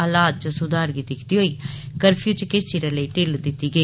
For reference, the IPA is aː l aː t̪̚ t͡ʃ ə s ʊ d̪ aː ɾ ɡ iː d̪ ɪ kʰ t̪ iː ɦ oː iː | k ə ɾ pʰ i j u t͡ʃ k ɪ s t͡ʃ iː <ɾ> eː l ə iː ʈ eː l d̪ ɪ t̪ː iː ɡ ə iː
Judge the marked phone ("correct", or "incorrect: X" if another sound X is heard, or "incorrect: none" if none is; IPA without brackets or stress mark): correct